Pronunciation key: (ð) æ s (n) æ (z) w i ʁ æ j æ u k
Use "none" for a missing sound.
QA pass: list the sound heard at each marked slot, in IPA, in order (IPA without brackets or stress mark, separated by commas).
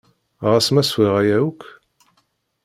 ʁ, m, s